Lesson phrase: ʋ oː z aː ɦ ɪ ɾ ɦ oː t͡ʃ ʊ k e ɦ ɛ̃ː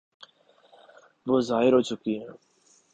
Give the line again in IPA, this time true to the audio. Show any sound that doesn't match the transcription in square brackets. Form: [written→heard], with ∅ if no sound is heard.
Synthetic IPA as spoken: ʋ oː z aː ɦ ɪ ɾ ɦ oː t͡ʃ ʊ k [e→i] ɦ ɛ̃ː